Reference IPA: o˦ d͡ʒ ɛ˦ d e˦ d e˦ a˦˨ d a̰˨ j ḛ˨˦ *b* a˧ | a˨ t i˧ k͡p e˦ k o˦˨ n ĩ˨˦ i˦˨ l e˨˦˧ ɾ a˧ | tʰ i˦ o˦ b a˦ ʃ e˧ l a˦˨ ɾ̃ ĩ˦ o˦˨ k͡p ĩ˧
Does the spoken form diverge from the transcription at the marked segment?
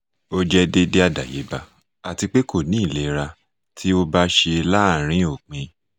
no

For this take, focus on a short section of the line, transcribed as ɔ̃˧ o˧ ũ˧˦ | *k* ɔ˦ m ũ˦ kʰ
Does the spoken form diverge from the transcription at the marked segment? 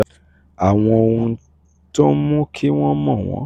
yes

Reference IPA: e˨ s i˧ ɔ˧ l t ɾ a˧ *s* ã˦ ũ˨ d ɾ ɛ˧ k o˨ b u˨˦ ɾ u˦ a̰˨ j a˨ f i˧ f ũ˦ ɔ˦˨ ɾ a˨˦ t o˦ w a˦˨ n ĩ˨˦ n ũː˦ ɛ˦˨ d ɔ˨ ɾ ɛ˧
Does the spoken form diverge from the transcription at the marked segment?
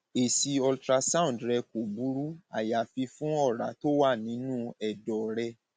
no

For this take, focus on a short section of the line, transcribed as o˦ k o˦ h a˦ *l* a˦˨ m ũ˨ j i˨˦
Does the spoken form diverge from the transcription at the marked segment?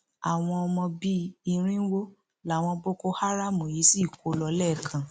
yes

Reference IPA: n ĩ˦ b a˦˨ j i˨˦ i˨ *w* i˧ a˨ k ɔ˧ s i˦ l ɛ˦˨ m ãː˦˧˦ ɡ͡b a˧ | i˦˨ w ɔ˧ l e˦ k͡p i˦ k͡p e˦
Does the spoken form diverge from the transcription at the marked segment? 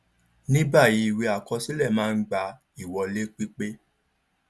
no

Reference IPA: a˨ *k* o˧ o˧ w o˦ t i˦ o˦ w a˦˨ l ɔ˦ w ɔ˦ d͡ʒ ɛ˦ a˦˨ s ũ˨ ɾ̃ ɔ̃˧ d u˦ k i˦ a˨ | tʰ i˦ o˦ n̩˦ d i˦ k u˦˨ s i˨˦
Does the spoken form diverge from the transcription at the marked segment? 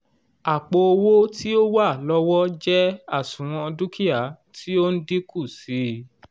yes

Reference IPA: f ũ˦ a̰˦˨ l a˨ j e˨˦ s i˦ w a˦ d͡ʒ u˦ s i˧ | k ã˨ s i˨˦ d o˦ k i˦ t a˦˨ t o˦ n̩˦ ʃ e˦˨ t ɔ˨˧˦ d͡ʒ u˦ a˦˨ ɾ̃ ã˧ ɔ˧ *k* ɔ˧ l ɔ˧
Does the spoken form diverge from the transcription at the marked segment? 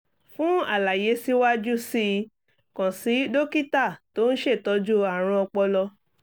yes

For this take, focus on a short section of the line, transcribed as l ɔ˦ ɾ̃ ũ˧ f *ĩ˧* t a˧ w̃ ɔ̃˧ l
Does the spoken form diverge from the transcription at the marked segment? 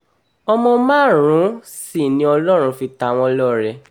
yes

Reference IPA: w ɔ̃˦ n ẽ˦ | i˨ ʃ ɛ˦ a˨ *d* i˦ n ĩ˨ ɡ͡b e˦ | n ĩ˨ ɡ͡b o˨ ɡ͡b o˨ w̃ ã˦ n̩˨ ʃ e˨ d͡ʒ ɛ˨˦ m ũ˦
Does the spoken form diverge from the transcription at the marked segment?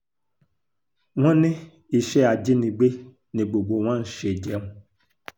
yes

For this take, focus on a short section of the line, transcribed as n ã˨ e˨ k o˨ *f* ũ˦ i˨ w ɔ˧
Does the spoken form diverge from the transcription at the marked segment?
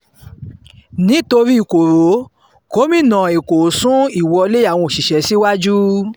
yes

